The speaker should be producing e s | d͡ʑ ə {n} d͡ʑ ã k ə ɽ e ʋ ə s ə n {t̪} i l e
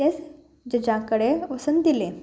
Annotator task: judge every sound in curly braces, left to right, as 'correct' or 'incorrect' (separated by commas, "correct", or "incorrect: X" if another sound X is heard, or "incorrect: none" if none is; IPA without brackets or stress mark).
incorrect: none, incorrect: d̪